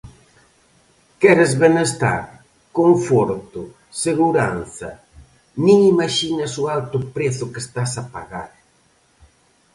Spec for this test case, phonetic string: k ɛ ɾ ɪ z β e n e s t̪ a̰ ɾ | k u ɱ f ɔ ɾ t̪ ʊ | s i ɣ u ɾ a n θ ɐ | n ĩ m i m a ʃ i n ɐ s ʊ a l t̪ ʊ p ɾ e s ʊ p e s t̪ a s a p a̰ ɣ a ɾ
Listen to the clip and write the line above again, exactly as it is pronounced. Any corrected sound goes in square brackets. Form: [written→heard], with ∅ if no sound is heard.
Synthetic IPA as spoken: k ɛ ɾ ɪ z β e n e s t̪ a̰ ɾ | k [u→o] ɱ f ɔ ɾ t̪ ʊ | s [i→e] ɣ u ɾ a n θ ɐ | n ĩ [m→ŋ] i m a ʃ i n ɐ s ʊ a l t̪ ʊ p ɾ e [s→θ] ʊ [p→k] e s t̪ a s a p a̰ ɣ a ɾ